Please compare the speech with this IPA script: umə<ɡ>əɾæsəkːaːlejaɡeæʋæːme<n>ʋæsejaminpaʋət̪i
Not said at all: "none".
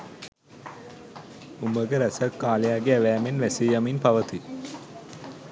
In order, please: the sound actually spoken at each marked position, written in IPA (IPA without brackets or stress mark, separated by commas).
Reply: ɡ, n